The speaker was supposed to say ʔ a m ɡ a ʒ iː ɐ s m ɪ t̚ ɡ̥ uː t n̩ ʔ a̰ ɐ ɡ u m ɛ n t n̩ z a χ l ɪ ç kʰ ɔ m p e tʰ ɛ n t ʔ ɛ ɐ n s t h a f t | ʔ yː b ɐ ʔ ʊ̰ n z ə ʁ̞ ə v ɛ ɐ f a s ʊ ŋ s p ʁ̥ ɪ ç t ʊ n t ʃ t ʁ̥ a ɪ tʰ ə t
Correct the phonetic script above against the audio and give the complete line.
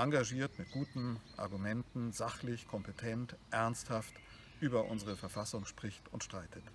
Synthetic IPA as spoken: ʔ a ŋ ɡ a ʒ iː ɐ t m ɪ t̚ ɡ̥ uː t n̩ ʔ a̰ ɐ ɡ u m ɛ n t n̩ z a χ l ɪ ç kʰ ɔ m p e tʰ ɛ n t ʔ ɛ ɐ n s t h a f t | ʔ yː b ɐ ʔ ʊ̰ n z ə ʁ̞ ə f ɛ ɐ f a s ʊ ŋ ʃ p ʁ̥ ɪ ç t ʊ n t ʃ t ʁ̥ a ɪ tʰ ə t